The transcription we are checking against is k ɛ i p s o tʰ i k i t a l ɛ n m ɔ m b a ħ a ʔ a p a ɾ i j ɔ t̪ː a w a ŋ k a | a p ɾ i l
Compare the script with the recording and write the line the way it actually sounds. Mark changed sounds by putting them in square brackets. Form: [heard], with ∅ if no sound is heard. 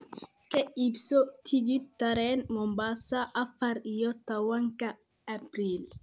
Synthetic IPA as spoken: k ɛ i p s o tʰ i [ɡ] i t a [ɾ] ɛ n m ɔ m b a [s] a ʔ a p a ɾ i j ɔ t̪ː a w a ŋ k a | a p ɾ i l